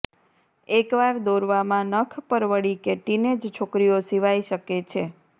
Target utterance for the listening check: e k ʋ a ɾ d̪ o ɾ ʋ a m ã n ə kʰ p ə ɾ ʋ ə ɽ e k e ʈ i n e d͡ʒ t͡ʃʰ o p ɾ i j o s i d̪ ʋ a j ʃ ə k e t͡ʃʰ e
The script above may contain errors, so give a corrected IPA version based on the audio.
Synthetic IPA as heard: e k ʋ a ɾ d̪ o ɾ ʋ a m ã n ə kʰ p ə ɾ ʋ ə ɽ i k e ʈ i n e d͡ʒ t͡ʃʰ o k ɾ i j o s i ʋ a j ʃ ə k e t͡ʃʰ e